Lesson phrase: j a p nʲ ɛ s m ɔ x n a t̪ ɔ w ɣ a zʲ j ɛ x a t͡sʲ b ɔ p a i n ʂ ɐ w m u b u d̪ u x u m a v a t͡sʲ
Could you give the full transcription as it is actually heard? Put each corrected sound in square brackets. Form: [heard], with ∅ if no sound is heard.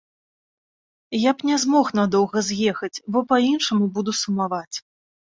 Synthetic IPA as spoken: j a p nʲ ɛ [z] m ɔ x n a [d̪] ɔ w ɣ [ɐ] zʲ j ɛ x [ɐ] t͡sʲ b ɔ p a i n ʂ ɐ [∅] m u b u d̪ u [s] u m a v a t͡sʲ